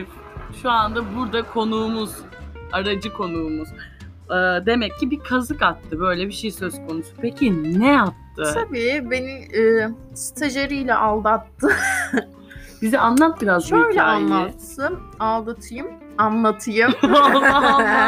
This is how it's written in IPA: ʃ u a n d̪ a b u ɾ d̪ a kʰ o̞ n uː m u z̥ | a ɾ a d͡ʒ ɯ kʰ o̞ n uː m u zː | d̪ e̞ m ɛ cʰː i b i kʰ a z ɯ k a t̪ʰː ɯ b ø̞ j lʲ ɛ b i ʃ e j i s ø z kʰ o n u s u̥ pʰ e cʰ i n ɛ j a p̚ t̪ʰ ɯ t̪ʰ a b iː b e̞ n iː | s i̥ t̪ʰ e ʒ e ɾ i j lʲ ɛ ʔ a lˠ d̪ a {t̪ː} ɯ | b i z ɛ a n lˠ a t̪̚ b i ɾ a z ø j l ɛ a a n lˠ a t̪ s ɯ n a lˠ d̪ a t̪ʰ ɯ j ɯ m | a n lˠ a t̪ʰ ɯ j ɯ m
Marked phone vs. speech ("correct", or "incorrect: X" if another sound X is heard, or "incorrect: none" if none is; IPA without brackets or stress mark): correct